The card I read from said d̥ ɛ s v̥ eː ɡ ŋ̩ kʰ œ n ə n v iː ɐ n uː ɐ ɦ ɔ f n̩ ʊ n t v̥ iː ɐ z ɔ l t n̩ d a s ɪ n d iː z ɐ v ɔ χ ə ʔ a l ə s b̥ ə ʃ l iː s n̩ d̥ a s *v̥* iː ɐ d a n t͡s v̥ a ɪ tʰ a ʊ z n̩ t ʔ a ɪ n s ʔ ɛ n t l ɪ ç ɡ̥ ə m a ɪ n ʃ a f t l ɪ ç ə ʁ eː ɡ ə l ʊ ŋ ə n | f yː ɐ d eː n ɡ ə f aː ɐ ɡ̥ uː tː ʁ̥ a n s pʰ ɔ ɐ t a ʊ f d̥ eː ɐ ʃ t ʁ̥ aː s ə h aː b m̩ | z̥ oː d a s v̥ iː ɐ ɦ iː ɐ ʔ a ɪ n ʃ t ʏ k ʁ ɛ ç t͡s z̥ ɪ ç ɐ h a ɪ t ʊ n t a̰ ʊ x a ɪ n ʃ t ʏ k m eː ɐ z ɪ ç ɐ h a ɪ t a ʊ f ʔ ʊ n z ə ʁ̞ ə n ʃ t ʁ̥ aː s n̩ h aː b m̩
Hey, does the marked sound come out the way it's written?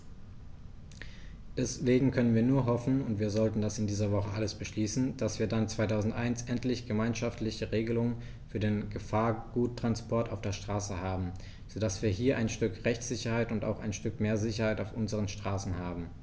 yes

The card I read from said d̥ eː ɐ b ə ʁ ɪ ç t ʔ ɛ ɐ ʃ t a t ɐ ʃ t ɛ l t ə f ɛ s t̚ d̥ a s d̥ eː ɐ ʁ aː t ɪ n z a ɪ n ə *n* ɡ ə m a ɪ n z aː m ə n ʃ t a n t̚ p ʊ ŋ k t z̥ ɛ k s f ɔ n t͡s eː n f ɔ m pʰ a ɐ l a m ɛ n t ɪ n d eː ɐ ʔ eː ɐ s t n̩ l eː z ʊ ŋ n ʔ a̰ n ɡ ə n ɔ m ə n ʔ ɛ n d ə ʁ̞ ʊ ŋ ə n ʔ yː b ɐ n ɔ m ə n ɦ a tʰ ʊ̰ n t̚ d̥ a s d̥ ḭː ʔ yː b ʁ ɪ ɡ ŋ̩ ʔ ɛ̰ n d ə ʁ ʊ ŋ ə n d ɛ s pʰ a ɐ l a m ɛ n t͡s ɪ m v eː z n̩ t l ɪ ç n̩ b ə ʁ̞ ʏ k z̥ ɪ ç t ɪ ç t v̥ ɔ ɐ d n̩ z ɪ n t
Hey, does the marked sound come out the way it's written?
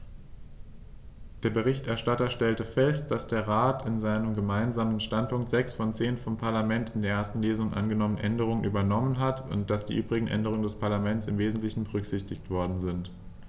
no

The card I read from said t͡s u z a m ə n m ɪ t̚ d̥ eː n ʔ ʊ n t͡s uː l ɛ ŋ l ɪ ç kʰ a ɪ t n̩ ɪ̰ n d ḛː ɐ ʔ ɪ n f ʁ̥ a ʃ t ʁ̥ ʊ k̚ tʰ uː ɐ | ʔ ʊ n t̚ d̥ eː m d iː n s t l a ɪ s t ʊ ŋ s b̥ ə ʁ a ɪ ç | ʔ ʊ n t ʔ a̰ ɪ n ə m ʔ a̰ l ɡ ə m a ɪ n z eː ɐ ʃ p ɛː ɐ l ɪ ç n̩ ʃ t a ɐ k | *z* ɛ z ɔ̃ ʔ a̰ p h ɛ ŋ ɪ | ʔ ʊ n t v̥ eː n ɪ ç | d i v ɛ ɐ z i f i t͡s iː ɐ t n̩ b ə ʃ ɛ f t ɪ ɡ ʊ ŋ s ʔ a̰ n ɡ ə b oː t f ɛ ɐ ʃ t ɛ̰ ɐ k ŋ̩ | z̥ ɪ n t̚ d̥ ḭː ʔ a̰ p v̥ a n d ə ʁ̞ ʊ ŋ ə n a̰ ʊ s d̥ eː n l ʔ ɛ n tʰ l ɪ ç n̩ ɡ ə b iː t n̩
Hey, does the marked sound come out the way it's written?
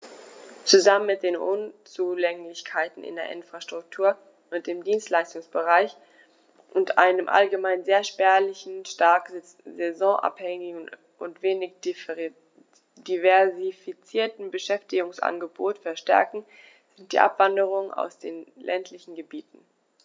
yes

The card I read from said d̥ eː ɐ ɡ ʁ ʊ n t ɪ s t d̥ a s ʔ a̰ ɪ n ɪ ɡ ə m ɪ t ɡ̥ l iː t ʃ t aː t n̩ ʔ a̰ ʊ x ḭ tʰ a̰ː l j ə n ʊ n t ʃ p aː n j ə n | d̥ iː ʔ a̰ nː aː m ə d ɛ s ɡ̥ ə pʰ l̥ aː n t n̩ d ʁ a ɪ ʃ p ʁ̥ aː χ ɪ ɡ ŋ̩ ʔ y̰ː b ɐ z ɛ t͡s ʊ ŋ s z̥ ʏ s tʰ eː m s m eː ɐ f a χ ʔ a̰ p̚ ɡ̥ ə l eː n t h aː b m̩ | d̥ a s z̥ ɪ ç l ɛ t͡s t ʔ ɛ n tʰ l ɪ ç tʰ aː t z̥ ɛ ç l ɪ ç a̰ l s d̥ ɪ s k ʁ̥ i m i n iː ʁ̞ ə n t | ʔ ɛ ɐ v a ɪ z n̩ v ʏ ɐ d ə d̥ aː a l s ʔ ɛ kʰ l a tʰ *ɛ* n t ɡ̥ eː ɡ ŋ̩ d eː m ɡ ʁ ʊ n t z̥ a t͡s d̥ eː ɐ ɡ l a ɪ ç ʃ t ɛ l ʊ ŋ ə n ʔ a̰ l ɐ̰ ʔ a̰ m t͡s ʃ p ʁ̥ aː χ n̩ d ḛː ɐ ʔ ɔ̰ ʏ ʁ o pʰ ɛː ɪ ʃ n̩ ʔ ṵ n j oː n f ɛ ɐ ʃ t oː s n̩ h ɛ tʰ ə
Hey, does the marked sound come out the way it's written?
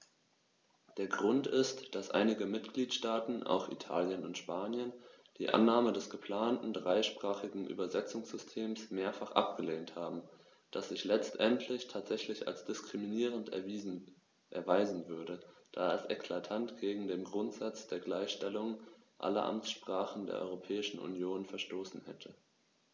no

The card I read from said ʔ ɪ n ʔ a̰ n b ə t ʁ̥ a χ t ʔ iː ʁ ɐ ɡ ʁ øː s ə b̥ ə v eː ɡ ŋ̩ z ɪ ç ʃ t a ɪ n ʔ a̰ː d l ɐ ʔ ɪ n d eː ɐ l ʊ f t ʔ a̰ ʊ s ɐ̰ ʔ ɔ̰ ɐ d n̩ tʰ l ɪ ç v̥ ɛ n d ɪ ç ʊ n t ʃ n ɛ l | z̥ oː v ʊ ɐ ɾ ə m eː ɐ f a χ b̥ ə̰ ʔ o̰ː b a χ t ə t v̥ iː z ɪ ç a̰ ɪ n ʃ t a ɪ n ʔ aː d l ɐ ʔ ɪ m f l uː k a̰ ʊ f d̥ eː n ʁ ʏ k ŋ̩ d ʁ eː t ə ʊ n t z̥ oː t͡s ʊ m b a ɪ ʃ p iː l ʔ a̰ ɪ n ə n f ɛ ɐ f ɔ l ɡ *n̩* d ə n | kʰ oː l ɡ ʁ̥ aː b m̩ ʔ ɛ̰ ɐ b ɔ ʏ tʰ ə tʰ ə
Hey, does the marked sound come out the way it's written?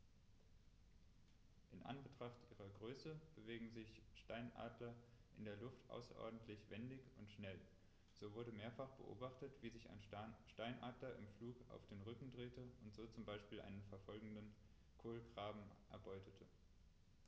no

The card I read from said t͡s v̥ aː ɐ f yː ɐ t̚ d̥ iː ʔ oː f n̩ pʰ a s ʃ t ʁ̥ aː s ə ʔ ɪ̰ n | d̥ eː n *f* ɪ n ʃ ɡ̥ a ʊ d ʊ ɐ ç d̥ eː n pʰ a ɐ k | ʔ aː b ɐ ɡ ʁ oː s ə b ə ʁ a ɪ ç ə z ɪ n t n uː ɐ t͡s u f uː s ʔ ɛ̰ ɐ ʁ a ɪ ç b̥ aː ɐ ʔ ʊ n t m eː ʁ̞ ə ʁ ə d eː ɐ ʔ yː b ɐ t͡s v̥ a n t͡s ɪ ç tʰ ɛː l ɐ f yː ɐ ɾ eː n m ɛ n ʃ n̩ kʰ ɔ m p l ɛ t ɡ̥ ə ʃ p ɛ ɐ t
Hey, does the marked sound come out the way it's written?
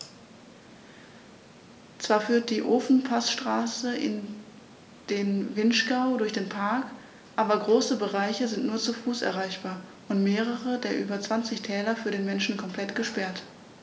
no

